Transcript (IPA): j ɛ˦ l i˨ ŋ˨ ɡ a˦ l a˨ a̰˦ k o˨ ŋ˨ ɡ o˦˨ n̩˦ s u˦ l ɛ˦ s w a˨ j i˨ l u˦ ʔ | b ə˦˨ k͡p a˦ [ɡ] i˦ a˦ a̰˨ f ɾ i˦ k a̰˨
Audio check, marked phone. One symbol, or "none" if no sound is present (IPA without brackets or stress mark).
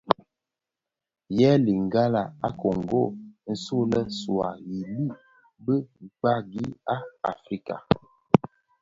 ɡ